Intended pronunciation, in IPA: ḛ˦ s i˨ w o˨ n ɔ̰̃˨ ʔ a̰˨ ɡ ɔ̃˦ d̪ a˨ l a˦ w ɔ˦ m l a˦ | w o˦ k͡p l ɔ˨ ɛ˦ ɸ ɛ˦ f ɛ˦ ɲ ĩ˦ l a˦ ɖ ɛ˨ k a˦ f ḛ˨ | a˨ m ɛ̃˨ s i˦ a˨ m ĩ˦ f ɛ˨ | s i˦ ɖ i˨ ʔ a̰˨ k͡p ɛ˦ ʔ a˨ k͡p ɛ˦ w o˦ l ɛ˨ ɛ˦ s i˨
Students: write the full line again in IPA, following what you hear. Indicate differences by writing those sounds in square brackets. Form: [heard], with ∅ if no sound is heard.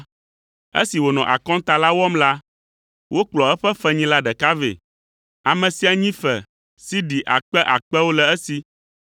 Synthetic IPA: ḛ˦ s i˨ w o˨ n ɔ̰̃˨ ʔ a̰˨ [k] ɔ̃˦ [t̪] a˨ l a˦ w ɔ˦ m l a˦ | w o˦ k͡p l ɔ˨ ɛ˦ ɸ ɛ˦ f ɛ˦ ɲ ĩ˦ l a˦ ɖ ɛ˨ k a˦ [v] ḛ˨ | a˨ m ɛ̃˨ s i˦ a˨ [ɲ] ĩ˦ f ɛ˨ | s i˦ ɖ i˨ ʔ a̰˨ k͡p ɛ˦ ʔ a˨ k͡p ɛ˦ w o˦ l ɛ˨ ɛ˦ s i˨

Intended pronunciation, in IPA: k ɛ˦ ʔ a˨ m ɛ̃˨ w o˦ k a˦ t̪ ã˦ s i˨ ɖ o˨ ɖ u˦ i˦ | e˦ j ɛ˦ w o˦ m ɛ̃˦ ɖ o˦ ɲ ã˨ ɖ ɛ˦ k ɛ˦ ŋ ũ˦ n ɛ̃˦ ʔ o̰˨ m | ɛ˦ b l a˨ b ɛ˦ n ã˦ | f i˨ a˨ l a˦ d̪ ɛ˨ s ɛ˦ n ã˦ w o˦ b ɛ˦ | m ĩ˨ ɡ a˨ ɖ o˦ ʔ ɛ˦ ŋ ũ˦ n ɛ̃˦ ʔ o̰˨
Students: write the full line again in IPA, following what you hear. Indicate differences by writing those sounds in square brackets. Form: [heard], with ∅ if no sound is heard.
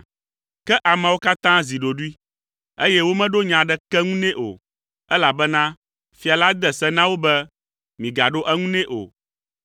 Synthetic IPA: k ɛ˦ ʔ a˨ m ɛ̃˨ w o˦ k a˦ t̪ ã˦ [z] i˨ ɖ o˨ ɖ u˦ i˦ | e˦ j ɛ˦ w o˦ m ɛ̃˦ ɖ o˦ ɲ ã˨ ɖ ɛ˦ k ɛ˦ ŋ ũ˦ n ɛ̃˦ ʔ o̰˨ [∅] | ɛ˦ [∅] l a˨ b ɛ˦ n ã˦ | f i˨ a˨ l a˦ d̪ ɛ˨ s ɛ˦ n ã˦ w o˦ b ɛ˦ | m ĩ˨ ɡ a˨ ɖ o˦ ʔ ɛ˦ ŋ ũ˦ n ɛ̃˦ ʔ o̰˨

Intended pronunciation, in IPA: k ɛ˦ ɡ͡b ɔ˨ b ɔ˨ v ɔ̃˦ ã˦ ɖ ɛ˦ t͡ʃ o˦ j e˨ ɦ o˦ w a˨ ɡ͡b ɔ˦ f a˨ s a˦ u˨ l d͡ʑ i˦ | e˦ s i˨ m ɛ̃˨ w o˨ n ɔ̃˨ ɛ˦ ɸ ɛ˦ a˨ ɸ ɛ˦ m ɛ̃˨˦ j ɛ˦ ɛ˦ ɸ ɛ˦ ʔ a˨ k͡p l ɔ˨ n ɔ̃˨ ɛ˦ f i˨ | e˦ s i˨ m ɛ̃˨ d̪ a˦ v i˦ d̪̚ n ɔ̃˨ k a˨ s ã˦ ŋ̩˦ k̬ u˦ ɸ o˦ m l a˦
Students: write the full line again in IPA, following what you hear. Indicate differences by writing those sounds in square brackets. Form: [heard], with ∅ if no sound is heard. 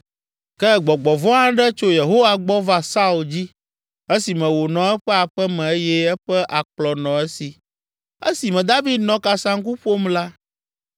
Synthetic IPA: k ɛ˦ ɡ͡b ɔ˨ [ɡ͡b] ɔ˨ v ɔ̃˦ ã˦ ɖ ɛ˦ t͡ʃ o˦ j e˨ ɦ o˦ w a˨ ɡ͡b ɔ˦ [v] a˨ s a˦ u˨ l d͡ʑ i˦ | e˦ s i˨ m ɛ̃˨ w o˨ n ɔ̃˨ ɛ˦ ɸ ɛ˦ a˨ ɸ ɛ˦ m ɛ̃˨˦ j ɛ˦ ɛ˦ ɸ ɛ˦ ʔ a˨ k͡p l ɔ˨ n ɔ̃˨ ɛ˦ [s] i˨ | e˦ s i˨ m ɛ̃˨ d̪ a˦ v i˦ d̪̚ n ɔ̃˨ k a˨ s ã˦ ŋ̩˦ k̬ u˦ ɸ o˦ m l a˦

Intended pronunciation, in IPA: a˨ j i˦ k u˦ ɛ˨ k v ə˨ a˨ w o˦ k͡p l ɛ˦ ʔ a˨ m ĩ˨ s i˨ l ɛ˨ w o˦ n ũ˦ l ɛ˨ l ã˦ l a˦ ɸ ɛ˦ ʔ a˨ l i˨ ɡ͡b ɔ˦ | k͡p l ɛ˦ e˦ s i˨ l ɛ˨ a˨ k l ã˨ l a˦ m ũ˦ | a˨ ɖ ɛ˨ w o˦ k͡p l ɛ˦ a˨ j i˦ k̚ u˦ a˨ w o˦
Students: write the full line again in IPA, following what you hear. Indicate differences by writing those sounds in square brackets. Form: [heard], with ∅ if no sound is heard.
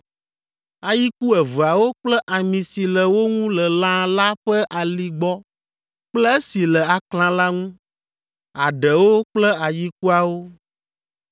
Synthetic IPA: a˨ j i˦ k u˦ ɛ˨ [∅] v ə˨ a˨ w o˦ k͡p l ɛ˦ ʔ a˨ m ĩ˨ s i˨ l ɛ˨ w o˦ [ŋ] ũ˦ l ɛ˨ l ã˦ l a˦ ɸ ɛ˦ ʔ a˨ l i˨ ɡ͡b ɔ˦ | k͡p l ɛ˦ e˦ s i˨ l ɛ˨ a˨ k l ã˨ l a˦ [ŋ] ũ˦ | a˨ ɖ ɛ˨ w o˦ k͡p l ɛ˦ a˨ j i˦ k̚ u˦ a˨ w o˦

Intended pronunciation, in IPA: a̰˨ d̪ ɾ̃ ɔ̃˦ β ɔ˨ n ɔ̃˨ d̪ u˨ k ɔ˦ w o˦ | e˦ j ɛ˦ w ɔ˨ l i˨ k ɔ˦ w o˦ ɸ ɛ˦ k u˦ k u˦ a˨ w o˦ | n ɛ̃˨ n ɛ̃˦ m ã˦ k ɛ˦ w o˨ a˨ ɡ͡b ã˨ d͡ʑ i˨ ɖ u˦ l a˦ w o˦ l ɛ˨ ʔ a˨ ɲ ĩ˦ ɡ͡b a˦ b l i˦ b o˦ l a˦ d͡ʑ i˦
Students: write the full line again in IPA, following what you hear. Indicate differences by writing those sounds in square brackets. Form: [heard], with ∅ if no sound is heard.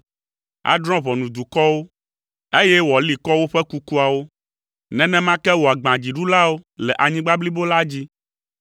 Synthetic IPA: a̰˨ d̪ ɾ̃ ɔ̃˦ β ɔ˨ n [ũ˨] d̪ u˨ k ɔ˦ w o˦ | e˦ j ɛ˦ w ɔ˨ l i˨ k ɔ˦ w o˦ ɸ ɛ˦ k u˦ k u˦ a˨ w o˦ | n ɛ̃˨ n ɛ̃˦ m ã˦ k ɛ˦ w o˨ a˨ ɡ͡b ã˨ d͡ʑ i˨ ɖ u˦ l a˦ w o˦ l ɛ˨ ʔ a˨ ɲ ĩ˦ ɡ͡b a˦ b l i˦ b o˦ l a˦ d͡ʑ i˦

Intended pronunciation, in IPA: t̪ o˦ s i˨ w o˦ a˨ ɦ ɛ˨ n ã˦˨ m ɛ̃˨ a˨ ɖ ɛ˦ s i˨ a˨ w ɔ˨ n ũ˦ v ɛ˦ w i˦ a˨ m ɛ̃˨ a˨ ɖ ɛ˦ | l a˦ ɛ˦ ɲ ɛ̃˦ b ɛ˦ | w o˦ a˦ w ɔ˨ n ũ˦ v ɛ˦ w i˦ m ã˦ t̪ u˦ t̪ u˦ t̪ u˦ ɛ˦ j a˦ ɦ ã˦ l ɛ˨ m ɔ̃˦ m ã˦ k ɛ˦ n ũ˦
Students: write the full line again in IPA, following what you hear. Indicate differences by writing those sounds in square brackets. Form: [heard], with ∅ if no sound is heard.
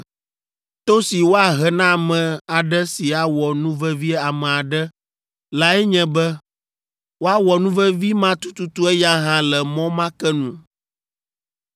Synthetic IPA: t̪ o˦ s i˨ w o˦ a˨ ɦ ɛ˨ n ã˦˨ m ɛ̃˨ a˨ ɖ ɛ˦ s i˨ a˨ w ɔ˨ n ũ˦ v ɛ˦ [v] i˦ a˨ m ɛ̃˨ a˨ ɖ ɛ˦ | l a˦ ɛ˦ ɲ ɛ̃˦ b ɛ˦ | w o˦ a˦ w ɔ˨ n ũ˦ v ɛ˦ [v] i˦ m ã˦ t̪ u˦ t̪ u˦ t̪ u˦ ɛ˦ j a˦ ɦ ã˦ l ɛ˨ m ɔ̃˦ m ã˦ k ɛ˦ n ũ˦

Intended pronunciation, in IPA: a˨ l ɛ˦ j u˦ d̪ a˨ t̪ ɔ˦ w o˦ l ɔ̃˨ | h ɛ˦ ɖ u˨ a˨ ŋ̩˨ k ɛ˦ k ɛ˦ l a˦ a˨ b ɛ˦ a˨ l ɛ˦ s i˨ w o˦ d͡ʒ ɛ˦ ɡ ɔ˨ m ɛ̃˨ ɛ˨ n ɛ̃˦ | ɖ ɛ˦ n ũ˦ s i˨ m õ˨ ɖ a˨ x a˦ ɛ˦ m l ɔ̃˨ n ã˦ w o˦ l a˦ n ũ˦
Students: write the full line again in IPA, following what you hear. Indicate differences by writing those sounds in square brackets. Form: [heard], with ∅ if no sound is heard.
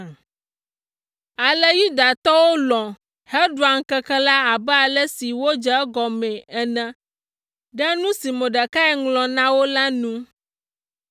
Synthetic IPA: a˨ l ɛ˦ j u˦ d̪ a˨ t̪ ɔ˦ w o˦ l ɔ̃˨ | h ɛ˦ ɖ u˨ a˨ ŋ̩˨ k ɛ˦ k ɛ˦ l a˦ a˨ b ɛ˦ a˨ l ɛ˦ s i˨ w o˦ d͡ʒ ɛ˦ ɡ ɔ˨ m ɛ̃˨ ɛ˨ n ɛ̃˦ | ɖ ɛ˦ n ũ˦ s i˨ m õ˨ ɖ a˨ [k] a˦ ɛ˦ [ŋ] l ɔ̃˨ n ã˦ w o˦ l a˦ n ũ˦

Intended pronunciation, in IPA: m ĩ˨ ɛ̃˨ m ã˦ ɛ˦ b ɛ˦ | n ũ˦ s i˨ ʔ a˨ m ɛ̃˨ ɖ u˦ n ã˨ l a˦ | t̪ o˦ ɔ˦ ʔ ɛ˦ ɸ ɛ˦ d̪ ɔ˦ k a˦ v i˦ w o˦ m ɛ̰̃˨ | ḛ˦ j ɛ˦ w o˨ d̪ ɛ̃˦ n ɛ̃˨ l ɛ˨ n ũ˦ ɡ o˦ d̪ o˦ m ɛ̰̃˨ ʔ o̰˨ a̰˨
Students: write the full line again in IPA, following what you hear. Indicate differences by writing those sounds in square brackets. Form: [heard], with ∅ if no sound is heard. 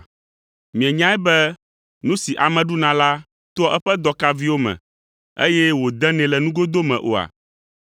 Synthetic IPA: m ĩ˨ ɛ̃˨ [ɲ] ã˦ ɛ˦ b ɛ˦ | n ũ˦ s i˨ ʔ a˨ m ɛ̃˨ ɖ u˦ n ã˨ l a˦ | t̪ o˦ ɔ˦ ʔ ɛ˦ ɸ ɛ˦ d̪ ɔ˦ k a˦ v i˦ w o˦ m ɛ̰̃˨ | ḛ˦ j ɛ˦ w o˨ d̪ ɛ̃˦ n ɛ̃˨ l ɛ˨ n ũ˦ ɡ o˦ d̪ o˦ m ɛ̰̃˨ ʔ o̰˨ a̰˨

